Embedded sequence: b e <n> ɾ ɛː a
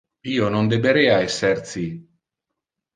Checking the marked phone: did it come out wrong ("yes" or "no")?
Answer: yes